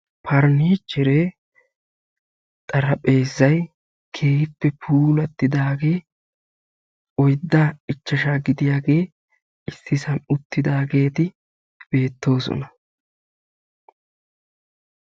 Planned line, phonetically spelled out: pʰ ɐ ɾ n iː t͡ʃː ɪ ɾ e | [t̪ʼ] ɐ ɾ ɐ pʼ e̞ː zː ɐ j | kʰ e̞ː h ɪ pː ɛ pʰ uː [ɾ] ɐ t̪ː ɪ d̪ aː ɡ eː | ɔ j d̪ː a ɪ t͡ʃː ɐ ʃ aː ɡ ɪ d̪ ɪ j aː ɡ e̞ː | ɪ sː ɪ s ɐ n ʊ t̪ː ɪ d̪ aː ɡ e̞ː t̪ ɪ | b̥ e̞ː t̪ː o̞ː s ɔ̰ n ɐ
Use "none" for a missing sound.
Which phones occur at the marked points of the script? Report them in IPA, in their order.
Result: t̪ʼ, l

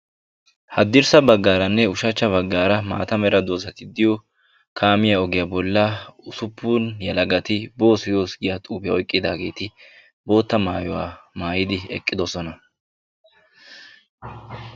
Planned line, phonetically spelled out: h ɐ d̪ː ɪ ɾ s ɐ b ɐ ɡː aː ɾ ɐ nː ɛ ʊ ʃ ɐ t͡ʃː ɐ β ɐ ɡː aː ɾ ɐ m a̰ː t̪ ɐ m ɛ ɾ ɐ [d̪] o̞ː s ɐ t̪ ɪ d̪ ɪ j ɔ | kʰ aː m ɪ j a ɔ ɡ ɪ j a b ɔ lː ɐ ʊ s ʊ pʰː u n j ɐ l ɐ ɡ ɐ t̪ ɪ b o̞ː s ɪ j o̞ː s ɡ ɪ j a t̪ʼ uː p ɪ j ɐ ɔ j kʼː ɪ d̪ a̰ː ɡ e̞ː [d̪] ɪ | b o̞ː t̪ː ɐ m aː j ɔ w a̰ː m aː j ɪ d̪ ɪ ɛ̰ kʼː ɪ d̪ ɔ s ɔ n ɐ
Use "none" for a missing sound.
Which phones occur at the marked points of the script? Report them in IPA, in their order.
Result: d̪, t̪

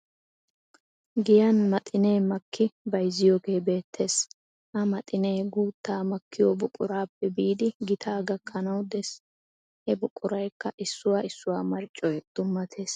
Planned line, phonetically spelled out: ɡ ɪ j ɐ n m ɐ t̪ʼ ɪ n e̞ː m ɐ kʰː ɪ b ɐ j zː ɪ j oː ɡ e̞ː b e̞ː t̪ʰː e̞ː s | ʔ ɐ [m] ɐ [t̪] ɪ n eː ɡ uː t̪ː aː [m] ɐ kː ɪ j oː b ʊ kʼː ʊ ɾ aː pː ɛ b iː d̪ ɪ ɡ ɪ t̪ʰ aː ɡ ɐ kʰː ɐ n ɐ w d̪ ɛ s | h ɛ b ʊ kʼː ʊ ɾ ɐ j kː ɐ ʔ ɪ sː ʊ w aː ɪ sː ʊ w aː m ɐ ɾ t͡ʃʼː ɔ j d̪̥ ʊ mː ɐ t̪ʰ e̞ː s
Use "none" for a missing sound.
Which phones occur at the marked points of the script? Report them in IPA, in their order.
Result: m, t̪ʼ, m

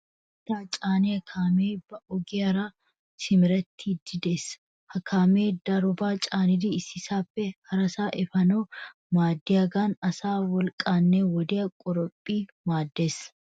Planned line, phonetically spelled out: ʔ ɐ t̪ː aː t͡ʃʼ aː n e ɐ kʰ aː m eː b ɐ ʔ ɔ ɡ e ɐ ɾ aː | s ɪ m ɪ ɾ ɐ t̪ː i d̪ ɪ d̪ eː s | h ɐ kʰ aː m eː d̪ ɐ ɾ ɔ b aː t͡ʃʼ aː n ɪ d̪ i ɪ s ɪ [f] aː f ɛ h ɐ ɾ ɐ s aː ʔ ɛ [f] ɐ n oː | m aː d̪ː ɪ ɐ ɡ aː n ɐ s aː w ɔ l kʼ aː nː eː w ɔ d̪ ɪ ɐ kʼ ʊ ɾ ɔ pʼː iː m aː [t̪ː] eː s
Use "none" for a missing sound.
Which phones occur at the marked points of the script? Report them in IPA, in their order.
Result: s, f, d̪ː

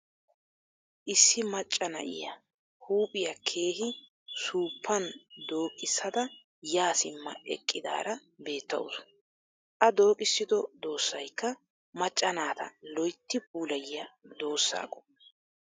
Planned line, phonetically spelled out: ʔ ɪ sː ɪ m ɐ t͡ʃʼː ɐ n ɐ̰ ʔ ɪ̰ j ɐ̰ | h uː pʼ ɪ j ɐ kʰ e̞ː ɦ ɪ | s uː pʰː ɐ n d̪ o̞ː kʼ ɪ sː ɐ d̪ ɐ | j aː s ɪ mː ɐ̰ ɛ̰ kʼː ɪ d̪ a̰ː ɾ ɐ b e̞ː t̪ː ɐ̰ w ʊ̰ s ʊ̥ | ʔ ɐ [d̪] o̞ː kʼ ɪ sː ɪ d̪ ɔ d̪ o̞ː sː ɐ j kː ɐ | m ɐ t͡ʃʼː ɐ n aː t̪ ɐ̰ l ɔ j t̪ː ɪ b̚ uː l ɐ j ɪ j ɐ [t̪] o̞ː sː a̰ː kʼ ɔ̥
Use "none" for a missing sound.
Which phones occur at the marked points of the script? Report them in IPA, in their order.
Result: d̪, d̪

